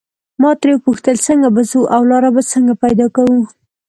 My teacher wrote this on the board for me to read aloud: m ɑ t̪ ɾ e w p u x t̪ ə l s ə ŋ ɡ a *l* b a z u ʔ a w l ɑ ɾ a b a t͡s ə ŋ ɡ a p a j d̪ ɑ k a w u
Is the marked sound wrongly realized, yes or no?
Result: yes